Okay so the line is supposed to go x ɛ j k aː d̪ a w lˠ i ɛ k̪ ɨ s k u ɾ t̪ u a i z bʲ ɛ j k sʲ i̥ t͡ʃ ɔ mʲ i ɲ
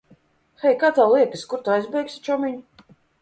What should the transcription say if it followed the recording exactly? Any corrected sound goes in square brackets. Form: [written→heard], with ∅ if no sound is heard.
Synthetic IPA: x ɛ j k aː [d̪→t̪] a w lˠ i ɛ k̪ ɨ s k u ɾ t̪ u a [i→j] z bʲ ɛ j k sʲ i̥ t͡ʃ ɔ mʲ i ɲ

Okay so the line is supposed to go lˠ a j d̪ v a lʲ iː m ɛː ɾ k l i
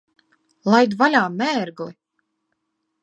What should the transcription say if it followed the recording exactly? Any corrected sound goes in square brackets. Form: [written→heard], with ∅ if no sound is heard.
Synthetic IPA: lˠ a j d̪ v a lʲ [iː→aː] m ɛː ɾ [k→ɡ] l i

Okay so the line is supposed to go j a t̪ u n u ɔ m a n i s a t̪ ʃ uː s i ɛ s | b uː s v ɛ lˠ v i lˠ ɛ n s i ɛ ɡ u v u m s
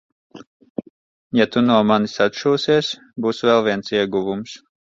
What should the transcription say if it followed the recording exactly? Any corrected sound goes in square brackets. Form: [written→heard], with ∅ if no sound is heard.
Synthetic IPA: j a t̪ u n u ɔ m a n i s a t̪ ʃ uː s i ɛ s | b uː s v ɛ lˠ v i [lˠ→∅] ɛ n s i ɛ ɡ u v u m s

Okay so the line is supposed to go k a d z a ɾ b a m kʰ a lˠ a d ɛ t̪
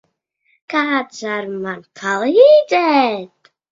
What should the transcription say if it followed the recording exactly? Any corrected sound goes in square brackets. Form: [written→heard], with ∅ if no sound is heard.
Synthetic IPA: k a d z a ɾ [b→m] a [m→n] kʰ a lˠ [a→i] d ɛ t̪

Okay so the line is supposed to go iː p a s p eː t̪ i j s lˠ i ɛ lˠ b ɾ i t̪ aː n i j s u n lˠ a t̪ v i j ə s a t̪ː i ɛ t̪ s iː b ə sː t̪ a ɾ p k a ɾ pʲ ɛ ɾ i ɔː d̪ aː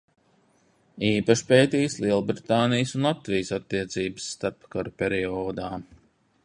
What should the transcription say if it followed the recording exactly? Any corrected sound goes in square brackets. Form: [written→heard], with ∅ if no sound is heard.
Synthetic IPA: iː p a [s→ʃ] p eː t̪ i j s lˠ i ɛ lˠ b ɾ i t̪ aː n i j s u n lˠ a t̪ v i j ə s a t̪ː i ɛ t̪ s iː b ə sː t̪ a ɾ p k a ɾ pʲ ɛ ɾ i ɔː d̪ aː

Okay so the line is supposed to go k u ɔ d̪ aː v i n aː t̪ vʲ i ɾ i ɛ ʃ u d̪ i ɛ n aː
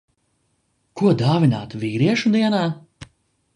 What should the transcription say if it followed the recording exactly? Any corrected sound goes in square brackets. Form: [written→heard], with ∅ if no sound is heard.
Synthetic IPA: k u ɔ d̪ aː v i n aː t̪ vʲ [i→iː] ɾ i ɛ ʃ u d̪ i ɛ n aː

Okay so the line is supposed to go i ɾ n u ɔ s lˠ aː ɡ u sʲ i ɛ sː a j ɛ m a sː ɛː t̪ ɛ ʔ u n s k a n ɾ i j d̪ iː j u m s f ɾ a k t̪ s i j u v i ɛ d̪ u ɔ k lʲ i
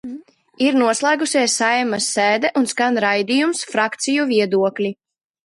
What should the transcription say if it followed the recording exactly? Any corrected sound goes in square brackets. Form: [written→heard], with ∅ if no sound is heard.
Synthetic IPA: i ɾ n u ɔ s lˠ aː ɡ u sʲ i ɛ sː a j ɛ m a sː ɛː [t̪→d̪] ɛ ʔ u n s k a n ɾ [i→a] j d̪ [iː→i] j u m s f ɾ a k t̪ s i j u v i ɛ d̪ u ɔ k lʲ i

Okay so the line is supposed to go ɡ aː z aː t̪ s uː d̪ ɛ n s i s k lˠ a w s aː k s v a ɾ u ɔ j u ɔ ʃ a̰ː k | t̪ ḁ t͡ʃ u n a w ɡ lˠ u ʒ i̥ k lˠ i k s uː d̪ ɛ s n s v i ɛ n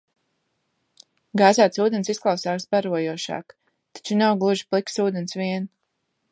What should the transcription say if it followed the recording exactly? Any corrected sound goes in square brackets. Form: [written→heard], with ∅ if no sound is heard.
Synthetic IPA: ɡ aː z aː t̪ s uː d̪ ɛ n s i s k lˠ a w s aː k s [v→b] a ɾ u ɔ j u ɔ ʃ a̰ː k | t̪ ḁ t͡ʃ u n a w ɡ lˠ u ʒ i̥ [k→p] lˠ i k s uː d̪ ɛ [s→∅] n s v i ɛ n

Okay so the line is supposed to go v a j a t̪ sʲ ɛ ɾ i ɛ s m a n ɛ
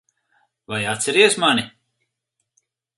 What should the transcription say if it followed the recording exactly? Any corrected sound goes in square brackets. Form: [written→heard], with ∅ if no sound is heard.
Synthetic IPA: v a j a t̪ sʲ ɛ ɾ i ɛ s m a n [ɛ→i]

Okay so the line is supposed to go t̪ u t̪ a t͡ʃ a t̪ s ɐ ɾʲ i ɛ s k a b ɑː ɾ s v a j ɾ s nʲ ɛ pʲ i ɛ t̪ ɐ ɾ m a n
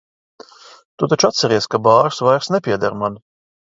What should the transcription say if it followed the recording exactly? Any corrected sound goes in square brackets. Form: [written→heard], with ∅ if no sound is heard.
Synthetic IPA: t̪ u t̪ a t͡ʃ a t̪ s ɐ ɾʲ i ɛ s k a b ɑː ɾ s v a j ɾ s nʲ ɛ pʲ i ɛ [t̪→d̪] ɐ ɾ m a n

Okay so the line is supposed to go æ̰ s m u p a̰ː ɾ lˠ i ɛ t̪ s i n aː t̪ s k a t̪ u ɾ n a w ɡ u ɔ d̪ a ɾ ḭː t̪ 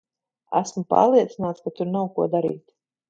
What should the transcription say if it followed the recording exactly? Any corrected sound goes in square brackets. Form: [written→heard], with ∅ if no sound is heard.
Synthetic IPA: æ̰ s m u p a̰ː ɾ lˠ i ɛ t̪ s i n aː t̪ s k a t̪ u ɾ n a w [ɡ→k] u ɔ d̪ a ɾ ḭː t̪

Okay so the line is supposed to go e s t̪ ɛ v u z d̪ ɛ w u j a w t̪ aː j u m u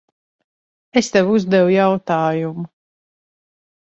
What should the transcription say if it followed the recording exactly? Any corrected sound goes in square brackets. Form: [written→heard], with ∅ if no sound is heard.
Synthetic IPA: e s t̪ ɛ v u z d̪ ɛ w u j a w t̪ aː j u m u

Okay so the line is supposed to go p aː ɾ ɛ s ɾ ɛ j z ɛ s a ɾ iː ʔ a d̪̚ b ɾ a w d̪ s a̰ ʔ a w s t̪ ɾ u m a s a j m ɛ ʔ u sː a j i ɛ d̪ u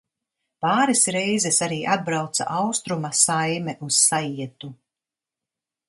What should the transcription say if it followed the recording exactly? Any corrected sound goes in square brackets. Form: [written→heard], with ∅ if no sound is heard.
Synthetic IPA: p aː ɾ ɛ s ɾ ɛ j z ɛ s a ɾ iː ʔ a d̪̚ b ɾ a w [d̪→t̪] s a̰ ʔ a w s t̪ ɾ u m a s a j m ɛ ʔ u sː a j i ɛ [d̪→t̪] u

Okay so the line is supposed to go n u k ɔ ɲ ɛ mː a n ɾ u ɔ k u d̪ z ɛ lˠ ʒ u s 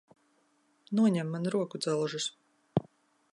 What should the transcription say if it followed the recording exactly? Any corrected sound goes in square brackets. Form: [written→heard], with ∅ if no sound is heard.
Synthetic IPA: n u [k→∅] ɔ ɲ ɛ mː a n ɾ u ɔ k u d̪ z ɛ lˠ ʒ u s

